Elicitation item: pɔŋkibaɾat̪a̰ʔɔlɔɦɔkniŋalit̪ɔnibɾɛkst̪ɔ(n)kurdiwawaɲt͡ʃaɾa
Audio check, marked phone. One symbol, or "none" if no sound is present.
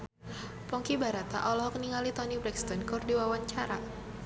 n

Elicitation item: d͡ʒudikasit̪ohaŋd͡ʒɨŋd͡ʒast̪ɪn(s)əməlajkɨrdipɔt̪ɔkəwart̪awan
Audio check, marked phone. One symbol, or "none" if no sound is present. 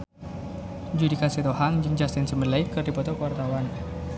s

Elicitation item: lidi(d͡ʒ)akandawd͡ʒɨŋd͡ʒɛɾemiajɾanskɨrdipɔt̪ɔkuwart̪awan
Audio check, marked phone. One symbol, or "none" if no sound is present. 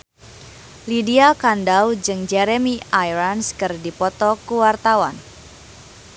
none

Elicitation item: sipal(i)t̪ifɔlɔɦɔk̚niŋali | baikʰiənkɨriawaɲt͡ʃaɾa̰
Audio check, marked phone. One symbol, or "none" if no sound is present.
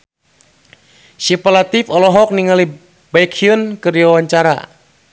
a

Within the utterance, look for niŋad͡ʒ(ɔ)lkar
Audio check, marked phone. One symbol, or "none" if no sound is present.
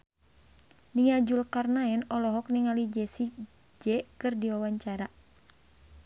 u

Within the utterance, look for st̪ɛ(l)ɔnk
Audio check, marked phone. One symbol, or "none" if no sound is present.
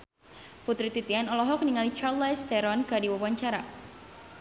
ɾ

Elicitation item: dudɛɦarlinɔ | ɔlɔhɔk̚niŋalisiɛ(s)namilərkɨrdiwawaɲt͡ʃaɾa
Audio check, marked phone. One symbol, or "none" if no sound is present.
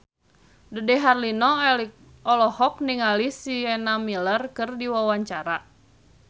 none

